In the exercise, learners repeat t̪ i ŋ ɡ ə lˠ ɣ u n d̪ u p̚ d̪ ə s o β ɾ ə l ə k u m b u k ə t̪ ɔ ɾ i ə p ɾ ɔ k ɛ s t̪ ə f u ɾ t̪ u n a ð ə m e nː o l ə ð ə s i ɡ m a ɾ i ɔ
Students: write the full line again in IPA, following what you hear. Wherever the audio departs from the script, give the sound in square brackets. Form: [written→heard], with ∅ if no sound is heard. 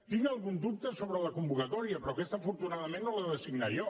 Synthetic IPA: t̪ i ŋ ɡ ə lˠ ɣ u n d̪ u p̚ [d̪→t̪] ə s o β ɾ ə l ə k u m b u k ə t̪ ɔ ɾ i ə p ɾ ɔ k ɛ s t̪ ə f u ɾ t̪ u n a ð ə m e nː o l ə ð ə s i ɡ [m→n] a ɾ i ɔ